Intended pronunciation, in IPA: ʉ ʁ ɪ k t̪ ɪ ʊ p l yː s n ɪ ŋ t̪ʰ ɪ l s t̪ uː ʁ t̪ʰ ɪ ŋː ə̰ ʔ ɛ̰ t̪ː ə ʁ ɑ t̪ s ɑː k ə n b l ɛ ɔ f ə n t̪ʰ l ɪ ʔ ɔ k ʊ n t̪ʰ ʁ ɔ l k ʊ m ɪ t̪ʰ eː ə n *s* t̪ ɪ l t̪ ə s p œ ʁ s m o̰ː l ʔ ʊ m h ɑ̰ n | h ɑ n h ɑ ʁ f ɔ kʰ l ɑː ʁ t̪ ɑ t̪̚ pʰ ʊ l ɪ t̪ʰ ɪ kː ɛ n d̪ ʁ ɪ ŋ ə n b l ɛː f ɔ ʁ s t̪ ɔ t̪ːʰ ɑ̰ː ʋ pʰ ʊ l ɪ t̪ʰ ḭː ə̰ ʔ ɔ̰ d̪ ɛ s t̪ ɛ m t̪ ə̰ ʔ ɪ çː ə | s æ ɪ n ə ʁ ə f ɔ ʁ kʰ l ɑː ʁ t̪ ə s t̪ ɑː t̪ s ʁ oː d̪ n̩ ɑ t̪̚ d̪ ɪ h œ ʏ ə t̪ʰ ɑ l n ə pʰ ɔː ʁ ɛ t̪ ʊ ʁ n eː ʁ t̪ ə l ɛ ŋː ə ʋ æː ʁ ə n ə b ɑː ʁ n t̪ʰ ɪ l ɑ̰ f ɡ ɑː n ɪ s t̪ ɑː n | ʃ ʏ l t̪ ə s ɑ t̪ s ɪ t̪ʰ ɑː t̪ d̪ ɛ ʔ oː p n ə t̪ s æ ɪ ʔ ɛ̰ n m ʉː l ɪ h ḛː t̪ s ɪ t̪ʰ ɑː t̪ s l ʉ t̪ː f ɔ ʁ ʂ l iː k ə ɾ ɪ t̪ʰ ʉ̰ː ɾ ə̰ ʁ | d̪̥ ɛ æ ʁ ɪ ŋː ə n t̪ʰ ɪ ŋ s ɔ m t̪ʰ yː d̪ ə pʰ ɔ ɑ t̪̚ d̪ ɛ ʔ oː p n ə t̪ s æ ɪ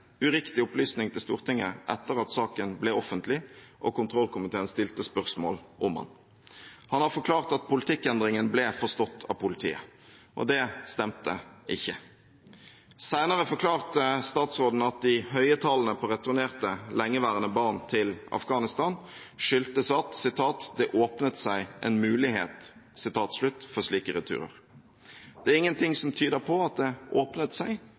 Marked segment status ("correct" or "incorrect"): correct